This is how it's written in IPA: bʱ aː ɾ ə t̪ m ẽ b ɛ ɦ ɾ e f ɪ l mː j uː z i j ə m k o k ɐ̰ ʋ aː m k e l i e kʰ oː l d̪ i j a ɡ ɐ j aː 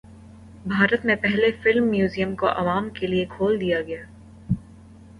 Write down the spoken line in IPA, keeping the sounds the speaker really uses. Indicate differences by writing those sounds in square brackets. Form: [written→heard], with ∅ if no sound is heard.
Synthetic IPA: bʱ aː ɾ ə t̪ m ẽ [b→p] ɛ ɦ [ɾ→l] e f ɪ l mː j uː z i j ə m k o [k→ʔ] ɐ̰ ʋ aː m k e l i e kʰ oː l d̪ i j a ɡ ɐ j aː